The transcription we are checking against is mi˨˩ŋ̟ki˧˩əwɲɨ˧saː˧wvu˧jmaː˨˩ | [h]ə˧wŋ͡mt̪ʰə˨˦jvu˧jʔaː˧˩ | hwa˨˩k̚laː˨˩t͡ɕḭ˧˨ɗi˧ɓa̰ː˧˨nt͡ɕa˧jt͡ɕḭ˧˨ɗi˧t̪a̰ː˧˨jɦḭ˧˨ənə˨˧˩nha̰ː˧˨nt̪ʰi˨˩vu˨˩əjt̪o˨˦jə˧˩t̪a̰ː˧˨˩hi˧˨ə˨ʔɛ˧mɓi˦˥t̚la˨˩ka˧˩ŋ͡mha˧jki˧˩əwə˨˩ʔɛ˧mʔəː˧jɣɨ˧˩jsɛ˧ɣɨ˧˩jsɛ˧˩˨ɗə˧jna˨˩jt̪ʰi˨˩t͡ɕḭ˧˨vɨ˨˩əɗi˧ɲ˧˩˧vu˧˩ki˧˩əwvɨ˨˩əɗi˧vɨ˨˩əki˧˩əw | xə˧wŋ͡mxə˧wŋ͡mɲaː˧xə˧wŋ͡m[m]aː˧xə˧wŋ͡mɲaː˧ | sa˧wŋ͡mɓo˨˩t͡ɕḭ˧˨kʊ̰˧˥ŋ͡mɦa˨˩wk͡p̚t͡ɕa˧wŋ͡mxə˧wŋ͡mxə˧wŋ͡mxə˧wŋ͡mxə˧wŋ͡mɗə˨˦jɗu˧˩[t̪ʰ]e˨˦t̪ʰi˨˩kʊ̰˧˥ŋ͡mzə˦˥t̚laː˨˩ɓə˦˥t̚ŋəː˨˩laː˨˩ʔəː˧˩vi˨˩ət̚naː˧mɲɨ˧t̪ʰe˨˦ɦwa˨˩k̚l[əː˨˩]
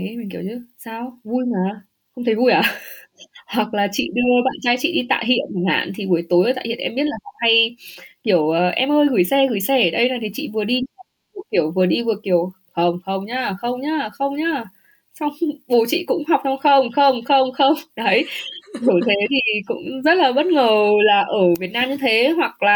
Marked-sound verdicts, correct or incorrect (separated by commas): incorrect, incorrect, correct, incorrect